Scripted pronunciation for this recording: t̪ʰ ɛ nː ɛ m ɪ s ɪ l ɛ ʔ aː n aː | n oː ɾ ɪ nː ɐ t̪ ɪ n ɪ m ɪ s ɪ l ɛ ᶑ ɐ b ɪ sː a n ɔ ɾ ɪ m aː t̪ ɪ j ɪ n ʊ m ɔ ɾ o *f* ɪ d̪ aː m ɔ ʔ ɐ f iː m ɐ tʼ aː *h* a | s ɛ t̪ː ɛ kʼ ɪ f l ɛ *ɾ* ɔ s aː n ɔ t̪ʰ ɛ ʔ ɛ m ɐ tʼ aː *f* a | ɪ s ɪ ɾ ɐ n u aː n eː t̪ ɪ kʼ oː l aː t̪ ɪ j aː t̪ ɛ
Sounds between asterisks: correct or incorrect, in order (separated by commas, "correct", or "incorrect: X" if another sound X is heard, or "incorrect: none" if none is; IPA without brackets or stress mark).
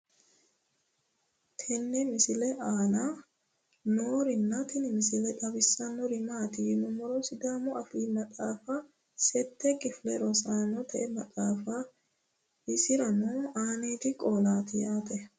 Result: incorrect: s, incorrect: f, correct, correct